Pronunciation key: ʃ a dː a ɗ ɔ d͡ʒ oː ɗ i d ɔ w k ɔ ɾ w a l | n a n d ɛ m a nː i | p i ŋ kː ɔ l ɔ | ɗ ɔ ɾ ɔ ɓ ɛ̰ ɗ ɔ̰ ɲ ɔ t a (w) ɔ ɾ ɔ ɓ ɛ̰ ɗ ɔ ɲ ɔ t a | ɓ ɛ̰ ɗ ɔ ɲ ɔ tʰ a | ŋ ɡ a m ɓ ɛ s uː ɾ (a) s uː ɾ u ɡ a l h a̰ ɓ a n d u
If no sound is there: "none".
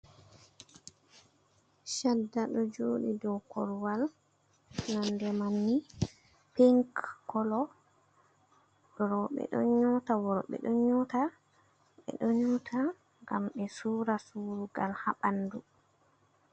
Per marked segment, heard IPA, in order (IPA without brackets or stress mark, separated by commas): w, a